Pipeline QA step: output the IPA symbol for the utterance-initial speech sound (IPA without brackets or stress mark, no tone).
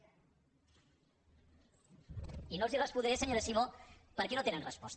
i